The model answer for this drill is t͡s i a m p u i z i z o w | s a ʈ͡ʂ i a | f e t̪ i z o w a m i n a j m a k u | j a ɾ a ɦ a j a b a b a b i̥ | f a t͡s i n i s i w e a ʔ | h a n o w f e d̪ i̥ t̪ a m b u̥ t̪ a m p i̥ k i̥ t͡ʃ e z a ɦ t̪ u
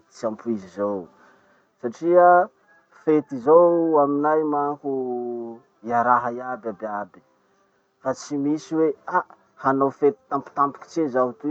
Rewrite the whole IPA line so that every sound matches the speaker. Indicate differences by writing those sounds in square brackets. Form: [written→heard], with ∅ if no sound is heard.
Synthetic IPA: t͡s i a m p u i z i z o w | s a ʈ͡ʂ i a | f e t̪ i z o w a m i n a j m a k u | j a ɾ a ɦ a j a b a b a b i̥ | f a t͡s i [n→m] i s i w e a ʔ | h a n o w f e [d̪→t̪] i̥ t̪ a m [b→p] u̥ t̪ a m p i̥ k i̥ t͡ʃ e z a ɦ t̪ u